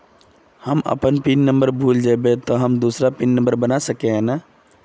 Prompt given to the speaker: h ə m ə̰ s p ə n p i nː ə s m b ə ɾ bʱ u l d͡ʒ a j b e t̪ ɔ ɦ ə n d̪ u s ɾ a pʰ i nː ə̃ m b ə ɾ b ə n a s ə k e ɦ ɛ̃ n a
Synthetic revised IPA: h ə m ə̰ p ə n p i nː ə m b ə ɾ bʱ u l d͡ʒ a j b e t̪ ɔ ɦ ə m d̪ u s ɾ a p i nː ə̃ m b ə ɾ b ə n a s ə k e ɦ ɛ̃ n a